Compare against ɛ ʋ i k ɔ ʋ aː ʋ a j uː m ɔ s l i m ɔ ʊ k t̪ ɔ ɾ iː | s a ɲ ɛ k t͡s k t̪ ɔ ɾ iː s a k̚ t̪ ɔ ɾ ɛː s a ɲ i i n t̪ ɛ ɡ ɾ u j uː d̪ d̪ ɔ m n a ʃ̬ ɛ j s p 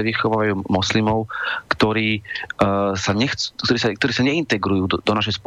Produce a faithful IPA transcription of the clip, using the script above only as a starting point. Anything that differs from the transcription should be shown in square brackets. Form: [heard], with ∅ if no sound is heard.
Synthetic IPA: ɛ ʋ i [x] ɔ ʋ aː ʋ a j uː m ɔ s l i m ɔ ʊ k t̪ ɔ ɾ iː | s a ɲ ɛ [x] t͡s k t̪ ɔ ɾ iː s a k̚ t̪ ɔ ɾ [iː] s a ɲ [ɛ] i n t̪ ɛ ɡ ɾ u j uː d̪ d̪ ɔ [∅] n a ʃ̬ ɛ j s p